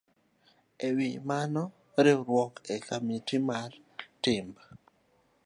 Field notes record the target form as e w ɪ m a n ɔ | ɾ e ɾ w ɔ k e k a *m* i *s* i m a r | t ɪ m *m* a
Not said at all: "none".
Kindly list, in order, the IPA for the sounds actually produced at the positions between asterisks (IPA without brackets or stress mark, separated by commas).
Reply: m, t, b